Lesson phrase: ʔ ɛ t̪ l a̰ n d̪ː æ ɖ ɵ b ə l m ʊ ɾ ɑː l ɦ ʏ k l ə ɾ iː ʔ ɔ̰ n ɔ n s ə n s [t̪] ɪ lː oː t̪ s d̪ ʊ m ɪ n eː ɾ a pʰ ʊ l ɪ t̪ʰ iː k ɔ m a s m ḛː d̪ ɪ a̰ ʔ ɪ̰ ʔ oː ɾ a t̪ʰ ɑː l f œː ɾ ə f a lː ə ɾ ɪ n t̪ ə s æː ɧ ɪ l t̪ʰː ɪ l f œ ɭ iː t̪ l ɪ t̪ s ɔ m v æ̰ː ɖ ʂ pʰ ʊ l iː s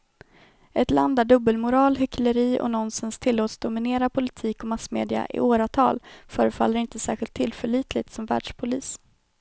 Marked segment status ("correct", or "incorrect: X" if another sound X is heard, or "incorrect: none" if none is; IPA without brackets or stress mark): incorrect: t̪ʰ